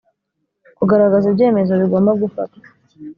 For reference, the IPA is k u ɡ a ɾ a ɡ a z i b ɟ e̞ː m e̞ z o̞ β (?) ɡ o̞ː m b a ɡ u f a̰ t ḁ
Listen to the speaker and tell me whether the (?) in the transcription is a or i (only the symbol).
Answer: i